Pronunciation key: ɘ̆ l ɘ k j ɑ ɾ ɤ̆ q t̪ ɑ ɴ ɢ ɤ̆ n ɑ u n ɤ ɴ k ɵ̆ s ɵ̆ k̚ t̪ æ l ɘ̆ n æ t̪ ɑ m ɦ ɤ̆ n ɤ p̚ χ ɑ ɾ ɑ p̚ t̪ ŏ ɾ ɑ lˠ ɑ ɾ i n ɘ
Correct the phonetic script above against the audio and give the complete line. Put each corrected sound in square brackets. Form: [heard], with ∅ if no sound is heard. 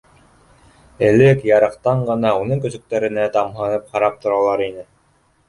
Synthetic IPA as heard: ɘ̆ l ɘ k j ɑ ɾ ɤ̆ q t̪ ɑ ɴ ɢ ɤ̆ n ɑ u n ɤ [ŋ] k ɵ̆ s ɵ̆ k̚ t̪ æ [ɾ] ɘ̆ n æ t̪ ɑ m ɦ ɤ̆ n ɤ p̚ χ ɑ ɾ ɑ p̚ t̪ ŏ ɾ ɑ lˠ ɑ ɾ i n ɘ